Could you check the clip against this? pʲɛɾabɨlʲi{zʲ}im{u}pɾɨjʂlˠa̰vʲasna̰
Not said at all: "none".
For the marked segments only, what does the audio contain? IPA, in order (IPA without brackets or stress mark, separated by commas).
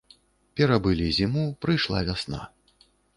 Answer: zʲ, u